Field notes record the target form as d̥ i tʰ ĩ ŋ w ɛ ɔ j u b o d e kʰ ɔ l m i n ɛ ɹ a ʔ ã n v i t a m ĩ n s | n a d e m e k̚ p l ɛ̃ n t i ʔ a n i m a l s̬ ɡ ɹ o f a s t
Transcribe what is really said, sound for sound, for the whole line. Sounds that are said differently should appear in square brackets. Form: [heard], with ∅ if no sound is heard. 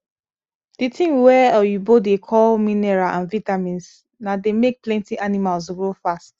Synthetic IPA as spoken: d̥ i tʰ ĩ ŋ w ɛ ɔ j u b o d e kʰ ɔ l m i n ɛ ɹ a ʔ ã n v i t a m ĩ n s | n a d e m e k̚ p l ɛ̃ n t i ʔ a n i m a l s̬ ɡ ɹ o f a s t